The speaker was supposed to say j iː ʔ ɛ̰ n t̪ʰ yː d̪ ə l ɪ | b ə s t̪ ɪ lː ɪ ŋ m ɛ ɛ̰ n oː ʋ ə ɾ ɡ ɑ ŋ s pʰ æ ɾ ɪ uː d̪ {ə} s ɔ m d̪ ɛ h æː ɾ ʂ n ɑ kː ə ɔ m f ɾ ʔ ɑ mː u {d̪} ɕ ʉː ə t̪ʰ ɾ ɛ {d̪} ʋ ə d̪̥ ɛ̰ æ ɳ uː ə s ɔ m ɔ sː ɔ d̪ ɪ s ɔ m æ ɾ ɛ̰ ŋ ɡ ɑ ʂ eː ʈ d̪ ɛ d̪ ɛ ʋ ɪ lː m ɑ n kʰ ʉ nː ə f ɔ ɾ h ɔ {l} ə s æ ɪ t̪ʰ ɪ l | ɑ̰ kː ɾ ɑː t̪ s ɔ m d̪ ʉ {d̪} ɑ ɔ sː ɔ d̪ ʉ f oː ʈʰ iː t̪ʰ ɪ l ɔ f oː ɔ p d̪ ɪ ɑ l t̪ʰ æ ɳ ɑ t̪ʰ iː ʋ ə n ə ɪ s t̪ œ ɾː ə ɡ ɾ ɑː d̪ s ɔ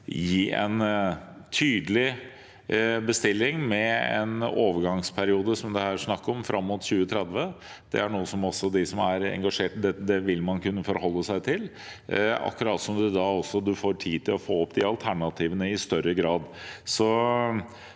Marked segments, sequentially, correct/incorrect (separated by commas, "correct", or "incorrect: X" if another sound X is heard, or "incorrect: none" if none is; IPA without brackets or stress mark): correct, incorrect: t̪, correct, incorrect: lː, correct